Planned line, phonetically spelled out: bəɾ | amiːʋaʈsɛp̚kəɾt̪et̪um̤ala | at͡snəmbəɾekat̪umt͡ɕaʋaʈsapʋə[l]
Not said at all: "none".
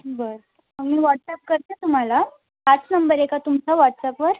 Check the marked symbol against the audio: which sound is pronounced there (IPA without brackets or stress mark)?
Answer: ɾ